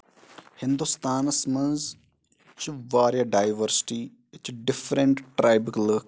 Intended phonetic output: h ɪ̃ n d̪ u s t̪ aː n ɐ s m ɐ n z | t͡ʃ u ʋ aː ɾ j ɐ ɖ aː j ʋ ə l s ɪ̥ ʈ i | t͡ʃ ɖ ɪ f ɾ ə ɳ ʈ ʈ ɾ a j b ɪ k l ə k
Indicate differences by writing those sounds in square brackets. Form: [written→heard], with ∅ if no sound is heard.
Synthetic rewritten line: h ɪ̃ n d̪ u s t̪ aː n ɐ s m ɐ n z | t͡ʃ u ʋ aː ɾ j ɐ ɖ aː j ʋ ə [l→ɾ] s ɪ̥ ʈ i | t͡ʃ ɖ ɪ f ɾ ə ɳ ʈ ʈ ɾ a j b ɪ k l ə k